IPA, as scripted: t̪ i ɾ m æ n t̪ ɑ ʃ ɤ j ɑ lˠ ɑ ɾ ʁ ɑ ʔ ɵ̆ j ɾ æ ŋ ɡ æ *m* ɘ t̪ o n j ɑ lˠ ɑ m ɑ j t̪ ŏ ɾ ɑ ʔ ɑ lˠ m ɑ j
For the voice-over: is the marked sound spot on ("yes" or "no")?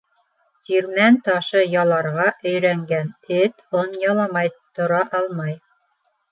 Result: no